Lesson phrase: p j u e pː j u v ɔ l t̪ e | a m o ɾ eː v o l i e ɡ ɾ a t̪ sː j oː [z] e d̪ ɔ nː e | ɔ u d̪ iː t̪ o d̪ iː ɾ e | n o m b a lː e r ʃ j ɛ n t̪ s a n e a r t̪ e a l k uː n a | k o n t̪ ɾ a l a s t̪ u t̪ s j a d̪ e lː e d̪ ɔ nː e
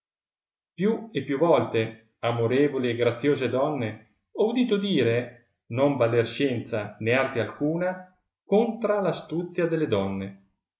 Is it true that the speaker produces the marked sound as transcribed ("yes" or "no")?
yes